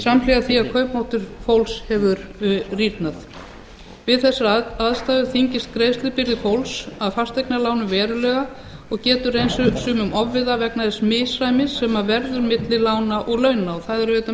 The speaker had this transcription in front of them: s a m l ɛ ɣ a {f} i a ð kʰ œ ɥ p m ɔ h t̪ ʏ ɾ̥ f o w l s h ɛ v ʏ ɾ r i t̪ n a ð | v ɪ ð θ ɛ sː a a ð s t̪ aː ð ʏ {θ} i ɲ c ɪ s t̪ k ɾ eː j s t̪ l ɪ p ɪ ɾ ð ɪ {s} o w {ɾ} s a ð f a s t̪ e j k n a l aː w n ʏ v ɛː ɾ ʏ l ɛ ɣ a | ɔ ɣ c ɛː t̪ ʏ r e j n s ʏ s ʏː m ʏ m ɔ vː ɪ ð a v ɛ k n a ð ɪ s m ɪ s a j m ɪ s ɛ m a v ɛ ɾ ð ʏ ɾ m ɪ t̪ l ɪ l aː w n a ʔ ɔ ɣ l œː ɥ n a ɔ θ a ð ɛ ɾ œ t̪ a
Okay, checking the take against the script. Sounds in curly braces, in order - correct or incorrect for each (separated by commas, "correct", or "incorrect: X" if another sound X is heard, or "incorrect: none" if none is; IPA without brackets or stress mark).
incorrect: θ, correct, incorrect: f, incorrect: l